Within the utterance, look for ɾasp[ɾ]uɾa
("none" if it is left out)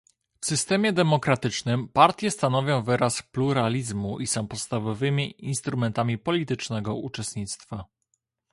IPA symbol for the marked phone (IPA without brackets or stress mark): l